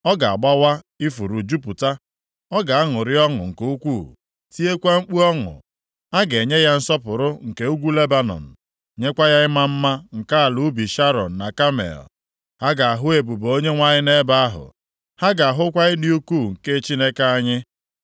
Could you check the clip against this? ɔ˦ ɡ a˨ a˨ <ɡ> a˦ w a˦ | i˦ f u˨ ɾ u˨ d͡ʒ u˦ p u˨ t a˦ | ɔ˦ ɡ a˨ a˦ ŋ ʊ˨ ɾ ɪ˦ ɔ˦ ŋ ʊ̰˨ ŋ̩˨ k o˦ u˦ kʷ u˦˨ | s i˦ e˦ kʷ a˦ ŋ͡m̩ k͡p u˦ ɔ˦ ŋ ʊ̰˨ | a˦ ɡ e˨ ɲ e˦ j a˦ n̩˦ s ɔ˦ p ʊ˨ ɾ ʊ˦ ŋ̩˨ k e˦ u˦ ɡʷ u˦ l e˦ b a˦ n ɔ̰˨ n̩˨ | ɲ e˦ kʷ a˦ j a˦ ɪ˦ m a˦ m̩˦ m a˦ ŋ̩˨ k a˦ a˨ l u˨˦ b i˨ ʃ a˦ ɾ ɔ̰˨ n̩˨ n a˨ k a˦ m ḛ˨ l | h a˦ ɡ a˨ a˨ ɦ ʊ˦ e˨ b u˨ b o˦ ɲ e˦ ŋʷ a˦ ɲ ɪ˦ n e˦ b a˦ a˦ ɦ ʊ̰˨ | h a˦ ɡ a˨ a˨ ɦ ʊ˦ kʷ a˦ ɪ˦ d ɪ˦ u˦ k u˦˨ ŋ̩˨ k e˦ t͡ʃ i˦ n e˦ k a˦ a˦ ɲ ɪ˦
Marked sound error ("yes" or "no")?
yes